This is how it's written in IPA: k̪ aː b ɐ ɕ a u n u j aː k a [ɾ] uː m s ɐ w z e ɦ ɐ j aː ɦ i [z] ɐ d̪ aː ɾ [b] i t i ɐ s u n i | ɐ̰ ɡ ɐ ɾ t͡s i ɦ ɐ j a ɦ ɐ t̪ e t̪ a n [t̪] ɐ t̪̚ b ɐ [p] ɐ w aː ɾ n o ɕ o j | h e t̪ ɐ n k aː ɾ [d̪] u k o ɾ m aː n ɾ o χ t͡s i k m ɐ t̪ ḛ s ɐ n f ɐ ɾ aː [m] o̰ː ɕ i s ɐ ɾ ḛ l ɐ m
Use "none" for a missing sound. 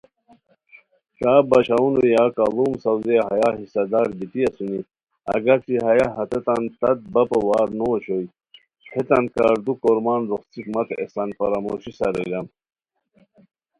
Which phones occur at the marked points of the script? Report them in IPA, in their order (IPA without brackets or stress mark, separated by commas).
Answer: l, s, b, t̪, p, d̪, m